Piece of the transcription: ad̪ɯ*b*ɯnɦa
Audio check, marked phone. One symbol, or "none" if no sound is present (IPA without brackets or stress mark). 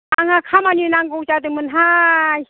m